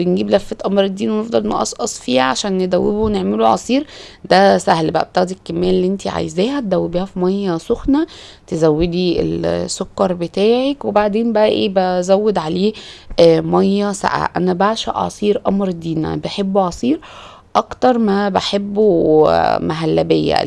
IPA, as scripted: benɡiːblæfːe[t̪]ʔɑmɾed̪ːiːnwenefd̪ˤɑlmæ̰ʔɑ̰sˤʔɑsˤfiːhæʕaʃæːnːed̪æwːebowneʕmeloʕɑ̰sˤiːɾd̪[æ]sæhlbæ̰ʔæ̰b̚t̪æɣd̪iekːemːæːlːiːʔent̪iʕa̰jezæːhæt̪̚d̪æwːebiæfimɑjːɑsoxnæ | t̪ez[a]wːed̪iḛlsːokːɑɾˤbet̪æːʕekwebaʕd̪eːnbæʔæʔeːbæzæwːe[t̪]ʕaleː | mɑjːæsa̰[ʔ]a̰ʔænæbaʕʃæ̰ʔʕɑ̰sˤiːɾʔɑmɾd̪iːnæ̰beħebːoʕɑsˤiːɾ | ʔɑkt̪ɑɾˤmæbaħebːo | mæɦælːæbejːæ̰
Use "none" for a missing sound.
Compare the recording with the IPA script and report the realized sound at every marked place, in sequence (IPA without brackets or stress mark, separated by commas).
t̪, æ, æ, d̪, ʔ